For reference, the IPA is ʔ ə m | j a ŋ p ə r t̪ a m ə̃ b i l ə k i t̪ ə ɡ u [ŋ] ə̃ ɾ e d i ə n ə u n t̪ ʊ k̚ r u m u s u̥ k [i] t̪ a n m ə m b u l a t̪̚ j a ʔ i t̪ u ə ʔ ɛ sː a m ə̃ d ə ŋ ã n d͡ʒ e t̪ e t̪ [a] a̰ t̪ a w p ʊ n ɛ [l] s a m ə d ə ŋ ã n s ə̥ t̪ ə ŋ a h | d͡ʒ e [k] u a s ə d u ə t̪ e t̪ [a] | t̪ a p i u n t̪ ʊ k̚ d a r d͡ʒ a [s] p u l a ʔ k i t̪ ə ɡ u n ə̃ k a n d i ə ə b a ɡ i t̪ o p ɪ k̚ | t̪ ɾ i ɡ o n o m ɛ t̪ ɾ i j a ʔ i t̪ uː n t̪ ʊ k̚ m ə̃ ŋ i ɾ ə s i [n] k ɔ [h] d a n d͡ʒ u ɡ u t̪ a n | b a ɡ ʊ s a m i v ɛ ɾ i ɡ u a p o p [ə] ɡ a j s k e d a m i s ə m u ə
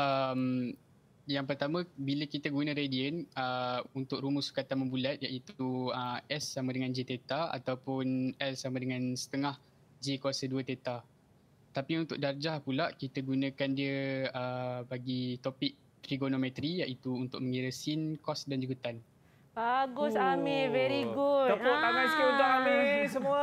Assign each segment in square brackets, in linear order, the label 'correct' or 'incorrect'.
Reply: incorrect: n, incorrect: a, correct, correct, correct, correct, incorrect: h, correct, incorrect: s, incorrect: a

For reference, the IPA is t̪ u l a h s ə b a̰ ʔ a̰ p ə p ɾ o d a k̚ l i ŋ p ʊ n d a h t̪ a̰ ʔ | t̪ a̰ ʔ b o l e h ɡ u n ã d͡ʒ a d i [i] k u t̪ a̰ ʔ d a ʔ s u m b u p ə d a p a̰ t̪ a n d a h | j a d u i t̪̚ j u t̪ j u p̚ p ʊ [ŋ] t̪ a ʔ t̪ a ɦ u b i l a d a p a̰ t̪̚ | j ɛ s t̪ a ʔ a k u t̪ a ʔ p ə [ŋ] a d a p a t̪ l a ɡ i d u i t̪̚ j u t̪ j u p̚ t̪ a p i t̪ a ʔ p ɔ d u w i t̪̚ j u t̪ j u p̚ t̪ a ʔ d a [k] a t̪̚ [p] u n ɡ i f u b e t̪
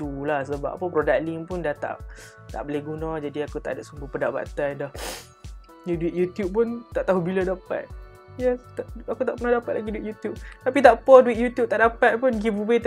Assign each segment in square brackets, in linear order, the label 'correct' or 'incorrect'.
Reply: incorrect: a, incorrect: n, incorrect: n, incorrect: p, correct

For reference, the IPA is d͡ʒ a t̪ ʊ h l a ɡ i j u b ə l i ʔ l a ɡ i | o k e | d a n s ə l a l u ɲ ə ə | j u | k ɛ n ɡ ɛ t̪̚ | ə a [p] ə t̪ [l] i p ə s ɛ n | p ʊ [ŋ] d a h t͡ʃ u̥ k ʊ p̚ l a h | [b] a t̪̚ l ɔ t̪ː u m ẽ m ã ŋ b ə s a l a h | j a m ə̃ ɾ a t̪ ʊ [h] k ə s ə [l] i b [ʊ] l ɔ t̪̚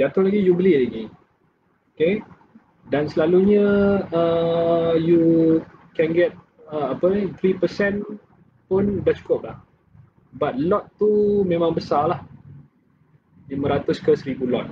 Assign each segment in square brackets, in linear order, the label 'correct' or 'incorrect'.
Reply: correct, incorrect: ɾ, incorrect: n, correct, incorrect: s, incorrect: ɾ, incorrect: u

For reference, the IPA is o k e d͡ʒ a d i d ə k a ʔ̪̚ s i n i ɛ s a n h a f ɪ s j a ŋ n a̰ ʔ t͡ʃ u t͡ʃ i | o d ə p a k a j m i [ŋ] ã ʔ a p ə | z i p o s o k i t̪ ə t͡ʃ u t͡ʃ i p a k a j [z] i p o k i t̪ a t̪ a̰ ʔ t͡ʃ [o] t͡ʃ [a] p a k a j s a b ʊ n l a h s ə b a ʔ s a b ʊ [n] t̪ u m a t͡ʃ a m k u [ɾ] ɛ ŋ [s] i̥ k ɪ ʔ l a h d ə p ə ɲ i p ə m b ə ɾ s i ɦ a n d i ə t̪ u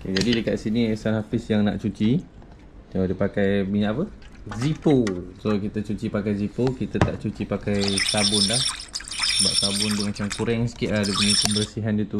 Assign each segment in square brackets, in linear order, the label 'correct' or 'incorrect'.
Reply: incorrect: ɲ, correct, incorrect: u, incorrect: i, correct, correct, correct

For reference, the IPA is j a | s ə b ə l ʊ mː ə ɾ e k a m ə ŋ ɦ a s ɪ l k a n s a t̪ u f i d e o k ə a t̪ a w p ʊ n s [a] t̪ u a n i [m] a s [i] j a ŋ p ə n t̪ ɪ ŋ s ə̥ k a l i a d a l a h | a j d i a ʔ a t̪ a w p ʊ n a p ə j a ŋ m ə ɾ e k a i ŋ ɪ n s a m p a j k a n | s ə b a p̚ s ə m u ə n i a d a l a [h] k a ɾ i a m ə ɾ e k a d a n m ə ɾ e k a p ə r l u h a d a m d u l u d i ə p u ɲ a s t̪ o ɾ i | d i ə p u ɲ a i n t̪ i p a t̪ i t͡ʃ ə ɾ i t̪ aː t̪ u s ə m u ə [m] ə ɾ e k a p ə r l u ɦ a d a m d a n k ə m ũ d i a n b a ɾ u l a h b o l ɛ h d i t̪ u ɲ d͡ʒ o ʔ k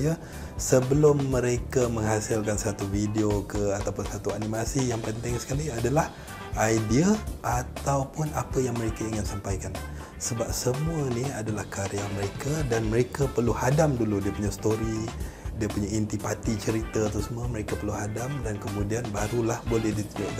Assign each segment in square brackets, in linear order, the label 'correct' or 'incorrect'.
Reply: correct, correct, correct, correct, correct

